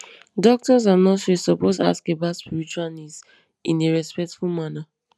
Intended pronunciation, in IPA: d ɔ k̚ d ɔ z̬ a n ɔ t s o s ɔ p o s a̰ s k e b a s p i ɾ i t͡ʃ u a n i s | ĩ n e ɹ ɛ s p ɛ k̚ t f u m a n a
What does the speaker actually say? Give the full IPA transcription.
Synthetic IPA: d ɔ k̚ t ɔ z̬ a n ɔ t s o s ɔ p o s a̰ s k e b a s p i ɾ i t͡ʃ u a n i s | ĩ n e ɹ ɛ s p ɛ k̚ t f u m a n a